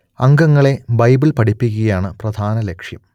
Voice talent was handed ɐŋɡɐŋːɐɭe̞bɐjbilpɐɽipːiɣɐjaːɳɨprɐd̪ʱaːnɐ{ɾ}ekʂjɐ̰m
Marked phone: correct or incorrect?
incorrect